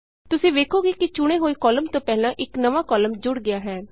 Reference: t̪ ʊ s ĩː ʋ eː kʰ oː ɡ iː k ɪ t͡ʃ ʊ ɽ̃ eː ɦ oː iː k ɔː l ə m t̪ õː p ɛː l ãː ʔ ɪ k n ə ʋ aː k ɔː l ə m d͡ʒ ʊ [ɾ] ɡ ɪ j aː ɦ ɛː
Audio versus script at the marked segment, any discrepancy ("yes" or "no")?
yes